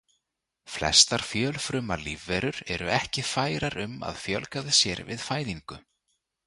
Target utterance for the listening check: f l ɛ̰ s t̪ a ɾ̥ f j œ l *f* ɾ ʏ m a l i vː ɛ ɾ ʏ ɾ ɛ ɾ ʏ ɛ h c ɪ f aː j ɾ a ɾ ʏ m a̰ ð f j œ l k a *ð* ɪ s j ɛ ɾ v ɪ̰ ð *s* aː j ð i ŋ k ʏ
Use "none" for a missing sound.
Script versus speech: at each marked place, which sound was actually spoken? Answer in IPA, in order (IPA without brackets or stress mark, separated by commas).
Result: f, ð, f